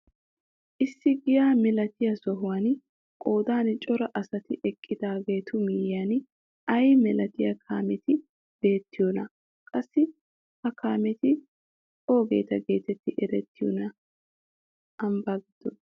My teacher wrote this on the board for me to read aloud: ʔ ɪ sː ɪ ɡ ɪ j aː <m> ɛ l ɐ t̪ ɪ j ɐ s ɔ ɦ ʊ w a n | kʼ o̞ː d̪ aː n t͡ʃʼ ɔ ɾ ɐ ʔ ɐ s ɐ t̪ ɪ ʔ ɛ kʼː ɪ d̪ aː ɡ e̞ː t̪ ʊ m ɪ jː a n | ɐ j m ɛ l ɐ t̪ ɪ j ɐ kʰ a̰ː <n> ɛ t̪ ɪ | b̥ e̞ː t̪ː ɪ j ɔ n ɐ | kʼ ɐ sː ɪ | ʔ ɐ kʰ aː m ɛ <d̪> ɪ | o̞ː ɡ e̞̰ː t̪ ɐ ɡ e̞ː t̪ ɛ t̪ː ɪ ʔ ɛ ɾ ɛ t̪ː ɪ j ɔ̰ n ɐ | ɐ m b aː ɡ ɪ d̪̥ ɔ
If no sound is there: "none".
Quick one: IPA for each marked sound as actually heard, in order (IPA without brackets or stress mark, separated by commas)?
m, m, t̪